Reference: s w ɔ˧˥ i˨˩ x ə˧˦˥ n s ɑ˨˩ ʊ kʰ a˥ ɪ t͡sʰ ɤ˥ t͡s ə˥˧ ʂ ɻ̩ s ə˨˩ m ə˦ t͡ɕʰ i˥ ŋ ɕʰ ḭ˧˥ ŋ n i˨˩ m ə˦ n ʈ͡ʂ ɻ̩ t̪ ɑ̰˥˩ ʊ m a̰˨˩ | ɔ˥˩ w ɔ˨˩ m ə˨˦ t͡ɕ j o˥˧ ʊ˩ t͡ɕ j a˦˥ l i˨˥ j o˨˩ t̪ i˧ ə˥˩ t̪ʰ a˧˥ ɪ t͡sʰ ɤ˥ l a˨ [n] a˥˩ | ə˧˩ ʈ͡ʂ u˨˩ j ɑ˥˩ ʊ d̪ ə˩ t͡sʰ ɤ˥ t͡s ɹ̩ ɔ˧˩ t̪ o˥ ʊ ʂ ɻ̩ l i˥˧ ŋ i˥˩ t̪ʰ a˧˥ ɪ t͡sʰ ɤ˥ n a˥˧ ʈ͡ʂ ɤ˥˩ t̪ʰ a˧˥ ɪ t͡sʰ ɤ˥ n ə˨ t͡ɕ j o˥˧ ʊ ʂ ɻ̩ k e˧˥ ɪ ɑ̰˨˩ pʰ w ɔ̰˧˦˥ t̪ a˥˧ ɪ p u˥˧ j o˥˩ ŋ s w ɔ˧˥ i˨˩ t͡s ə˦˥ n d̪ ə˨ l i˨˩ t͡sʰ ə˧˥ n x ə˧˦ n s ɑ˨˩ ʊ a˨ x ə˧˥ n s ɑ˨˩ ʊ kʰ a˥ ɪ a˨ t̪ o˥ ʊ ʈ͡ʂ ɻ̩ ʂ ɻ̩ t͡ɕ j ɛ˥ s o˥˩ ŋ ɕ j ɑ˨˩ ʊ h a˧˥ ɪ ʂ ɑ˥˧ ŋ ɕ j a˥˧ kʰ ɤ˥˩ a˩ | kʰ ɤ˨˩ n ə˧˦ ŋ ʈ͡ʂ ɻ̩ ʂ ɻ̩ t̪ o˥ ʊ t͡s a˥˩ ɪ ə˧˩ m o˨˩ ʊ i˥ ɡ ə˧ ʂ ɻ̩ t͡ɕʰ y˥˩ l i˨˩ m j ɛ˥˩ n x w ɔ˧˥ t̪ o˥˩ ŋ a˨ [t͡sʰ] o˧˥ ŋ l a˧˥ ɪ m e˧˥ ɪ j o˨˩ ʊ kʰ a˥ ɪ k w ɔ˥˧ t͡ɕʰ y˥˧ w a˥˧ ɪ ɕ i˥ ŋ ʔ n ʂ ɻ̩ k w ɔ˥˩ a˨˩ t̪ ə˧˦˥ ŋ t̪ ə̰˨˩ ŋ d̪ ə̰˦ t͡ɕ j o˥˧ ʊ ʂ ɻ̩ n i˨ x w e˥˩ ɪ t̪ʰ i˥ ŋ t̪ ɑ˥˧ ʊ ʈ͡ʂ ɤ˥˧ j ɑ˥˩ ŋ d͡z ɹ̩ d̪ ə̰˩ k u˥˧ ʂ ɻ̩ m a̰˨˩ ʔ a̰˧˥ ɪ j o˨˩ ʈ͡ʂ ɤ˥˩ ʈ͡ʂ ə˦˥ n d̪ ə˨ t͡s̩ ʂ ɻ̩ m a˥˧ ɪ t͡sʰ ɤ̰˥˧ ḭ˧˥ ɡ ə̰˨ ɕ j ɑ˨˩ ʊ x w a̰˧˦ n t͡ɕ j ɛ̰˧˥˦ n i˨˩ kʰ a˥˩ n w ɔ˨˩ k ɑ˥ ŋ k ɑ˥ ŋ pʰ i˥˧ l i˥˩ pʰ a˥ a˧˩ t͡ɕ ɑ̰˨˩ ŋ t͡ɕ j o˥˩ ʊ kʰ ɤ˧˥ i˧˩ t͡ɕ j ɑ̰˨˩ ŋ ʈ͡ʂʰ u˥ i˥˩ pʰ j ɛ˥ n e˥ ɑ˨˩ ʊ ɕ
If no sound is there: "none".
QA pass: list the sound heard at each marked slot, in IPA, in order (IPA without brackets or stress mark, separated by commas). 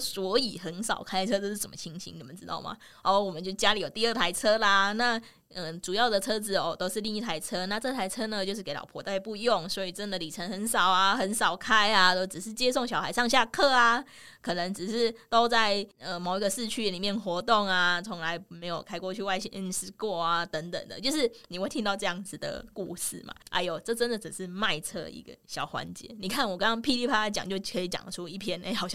n, t͡sʰ